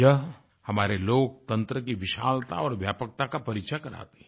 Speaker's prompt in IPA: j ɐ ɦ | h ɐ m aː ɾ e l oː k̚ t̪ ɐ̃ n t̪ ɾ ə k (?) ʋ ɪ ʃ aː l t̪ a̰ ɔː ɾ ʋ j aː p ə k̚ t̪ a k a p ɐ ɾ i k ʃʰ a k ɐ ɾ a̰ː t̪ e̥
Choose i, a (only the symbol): i